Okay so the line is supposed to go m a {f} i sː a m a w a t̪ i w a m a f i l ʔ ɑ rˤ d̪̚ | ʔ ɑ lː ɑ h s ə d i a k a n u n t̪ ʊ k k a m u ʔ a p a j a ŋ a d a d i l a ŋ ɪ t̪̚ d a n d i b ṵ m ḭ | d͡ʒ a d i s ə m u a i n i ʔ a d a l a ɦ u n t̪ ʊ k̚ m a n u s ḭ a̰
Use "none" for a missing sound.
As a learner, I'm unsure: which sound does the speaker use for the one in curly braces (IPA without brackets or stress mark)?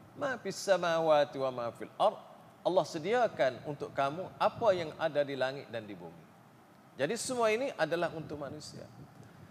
f